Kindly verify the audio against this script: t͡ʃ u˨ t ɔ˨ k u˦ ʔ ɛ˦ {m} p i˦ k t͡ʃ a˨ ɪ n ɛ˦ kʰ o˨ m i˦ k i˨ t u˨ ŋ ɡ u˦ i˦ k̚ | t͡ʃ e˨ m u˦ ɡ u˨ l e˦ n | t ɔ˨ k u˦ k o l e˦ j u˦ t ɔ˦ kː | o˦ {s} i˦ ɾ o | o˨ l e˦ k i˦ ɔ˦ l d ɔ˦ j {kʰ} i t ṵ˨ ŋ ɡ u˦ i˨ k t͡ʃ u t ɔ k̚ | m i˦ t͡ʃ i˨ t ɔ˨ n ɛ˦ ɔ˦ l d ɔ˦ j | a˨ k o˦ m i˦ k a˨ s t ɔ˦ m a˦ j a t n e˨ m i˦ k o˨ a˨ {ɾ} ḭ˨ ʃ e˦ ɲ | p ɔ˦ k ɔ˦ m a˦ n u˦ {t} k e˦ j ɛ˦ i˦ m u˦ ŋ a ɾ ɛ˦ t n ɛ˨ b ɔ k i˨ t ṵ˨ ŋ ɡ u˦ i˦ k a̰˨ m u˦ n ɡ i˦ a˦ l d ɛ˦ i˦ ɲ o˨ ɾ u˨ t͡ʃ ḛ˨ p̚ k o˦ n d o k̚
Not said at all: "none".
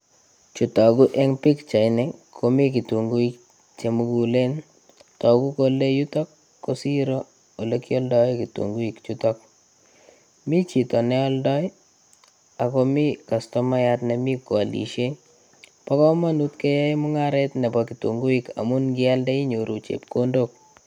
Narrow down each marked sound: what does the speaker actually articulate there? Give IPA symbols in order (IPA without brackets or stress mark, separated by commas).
ŋ, s, k, l, t